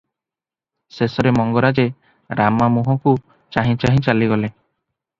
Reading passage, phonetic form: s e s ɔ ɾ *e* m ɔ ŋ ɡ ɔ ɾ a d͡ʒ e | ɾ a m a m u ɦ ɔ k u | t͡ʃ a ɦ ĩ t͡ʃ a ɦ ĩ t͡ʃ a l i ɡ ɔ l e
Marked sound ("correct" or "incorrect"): correct